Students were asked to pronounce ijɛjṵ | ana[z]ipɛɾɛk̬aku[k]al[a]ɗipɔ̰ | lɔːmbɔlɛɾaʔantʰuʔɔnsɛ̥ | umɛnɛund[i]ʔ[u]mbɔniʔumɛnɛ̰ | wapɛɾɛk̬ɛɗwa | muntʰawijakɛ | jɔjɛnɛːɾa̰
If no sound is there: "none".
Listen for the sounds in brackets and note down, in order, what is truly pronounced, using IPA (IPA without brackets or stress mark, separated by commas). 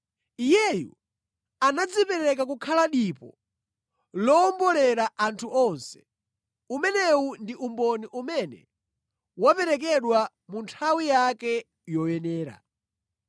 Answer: d͡z, kʰ, a, i, u